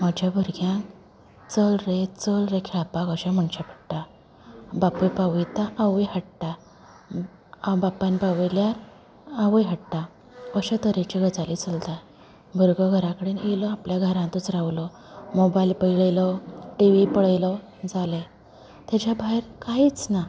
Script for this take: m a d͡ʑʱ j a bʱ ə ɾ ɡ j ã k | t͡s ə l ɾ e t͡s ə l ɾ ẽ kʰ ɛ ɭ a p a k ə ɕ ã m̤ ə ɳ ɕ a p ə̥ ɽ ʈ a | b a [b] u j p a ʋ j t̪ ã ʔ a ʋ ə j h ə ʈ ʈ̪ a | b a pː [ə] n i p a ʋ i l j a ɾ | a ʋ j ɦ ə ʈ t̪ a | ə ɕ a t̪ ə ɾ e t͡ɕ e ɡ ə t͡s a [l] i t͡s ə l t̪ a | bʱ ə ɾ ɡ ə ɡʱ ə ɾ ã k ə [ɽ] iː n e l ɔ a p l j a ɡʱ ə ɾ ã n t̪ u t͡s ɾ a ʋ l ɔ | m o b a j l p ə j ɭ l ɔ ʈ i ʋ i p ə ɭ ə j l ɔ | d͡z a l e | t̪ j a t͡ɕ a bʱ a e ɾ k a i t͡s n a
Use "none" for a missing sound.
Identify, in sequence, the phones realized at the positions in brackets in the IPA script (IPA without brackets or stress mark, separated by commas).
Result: p, a, l, ɽ